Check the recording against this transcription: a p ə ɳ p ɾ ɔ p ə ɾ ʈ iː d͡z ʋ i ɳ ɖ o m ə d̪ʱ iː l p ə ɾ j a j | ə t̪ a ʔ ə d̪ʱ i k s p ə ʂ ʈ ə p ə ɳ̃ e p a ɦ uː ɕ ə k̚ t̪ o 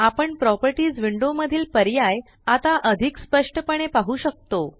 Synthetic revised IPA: a p ə ɳ p ɾ ɔ p ə ɾ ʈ iː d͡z ʋ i ɳ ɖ o m ə d̪ʱ iː l p ə ɾ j a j | a t̪ a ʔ ə d̪ʱ i k s p ə ʂ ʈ ə p ə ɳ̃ e p a ɦ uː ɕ ə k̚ t̪ o